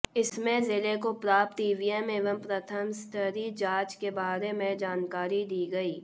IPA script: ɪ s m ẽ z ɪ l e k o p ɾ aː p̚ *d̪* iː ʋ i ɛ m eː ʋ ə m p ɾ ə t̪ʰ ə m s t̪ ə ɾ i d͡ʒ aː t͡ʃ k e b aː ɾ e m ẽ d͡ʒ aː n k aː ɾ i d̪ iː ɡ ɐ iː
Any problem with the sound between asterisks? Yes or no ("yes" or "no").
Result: yes